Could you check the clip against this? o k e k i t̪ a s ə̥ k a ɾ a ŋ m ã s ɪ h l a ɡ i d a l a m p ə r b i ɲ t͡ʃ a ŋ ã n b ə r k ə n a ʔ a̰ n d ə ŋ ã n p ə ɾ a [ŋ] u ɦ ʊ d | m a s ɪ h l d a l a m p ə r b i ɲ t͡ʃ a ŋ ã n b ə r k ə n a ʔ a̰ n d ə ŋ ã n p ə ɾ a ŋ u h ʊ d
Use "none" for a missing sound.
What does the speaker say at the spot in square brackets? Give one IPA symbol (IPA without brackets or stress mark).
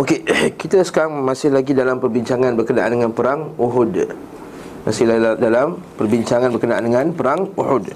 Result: ŋ